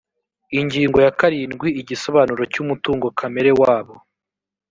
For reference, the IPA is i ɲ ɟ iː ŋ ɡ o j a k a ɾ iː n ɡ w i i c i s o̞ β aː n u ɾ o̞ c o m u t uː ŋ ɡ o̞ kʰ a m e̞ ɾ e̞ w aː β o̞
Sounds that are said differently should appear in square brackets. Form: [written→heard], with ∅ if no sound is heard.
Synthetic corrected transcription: i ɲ ɟ iː ŋ ɡ o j a k a ɾ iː n ɡ w i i [c→ɟ] i s o̞ β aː n u ɾ o̞ c [o→u] m u t uː ŋ ɡ o̞ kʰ a m e̞ ɾ e̞ w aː β o̞